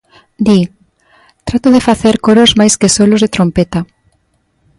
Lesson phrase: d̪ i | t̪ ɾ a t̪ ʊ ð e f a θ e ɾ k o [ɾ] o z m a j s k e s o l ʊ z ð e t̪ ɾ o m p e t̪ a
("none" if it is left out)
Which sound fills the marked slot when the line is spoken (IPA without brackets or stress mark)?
ɾ